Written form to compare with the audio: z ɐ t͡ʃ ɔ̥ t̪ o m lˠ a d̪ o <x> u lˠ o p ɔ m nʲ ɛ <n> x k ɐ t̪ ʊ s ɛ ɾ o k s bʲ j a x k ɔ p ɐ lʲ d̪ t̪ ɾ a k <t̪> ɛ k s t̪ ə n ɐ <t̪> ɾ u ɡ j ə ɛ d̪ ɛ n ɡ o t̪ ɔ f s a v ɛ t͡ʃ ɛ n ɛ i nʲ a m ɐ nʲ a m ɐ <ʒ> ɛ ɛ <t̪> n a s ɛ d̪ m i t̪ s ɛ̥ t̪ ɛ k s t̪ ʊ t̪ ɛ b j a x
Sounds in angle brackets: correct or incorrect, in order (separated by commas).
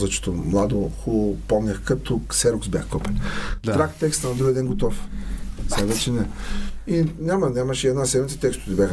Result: correct, incorrect, correct, incorrect, incorrect, incorrect